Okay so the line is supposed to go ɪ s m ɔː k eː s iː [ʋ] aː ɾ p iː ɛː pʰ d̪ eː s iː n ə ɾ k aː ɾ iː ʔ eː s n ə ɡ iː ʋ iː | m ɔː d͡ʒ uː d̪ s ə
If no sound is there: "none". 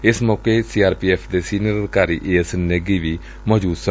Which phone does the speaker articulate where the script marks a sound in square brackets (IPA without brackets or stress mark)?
none